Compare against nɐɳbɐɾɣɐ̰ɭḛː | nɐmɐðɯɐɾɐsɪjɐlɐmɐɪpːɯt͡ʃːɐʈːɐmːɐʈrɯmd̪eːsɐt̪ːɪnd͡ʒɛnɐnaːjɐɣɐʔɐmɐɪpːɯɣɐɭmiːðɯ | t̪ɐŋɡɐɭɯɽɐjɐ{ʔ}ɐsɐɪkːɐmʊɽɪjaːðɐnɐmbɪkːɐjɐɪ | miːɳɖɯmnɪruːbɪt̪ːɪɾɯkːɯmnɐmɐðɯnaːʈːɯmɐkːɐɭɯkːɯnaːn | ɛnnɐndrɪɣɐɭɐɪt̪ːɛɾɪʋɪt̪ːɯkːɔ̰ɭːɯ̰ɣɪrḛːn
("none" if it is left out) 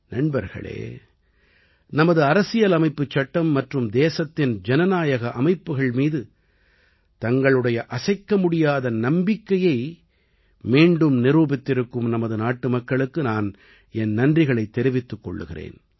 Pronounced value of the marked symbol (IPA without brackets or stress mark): ʔ